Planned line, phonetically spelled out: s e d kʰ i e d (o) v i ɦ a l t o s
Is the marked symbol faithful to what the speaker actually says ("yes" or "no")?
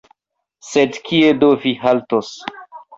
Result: yes